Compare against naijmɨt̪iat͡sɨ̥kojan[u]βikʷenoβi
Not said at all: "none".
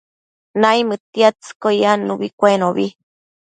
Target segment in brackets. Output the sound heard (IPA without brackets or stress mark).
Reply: u